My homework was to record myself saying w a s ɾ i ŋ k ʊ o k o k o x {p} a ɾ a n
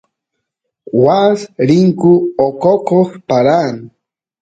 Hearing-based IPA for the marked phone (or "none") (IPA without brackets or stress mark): p